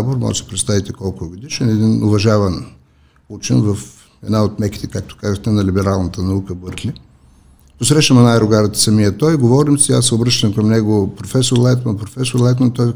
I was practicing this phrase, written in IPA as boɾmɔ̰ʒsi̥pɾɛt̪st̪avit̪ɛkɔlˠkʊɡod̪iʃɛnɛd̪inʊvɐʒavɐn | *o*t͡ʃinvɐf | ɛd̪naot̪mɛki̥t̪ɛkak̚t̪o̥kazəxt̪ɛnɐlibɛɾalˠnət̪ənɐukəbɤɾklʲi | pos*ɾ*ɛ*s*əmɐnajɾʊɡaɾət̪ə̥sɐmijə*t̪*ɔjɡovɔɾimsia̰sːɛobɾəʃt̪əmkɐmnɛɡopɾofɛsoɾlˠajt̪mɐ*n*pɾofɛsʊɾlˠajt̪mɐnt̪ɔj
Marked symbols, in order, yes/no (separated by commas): no, yes, no, yes, yes